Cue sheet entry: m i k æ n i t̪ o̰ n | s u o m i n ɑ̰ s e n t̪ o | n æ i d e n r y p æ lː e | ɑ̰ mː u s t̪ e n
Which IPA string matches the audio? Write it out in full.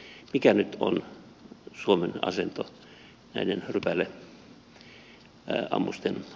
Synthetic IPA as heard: m i k æ n y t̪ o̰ n | s u o m e n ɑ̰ s e n t̪ o | n æ i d e n r y p æ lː e | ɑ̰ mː u s t̪ e n